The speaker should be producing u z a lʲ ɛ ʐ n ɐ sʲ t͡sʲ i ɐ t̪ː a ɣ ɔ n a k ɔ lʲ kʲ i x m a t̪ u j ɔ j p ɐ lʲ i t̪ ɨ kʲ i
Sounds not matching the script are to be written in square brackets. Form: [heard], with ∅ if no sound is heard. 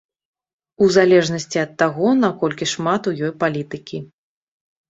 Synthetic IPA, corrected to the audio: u z a lʲ ɛ ʐ n ɐ sʲ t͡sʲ i ɐ t̪ː a ɣ ɔ n a k ɔ lʲ kʲ i [ʂ] m a t̪ u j ɔ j p [a] lʲ i t̪ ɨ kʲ i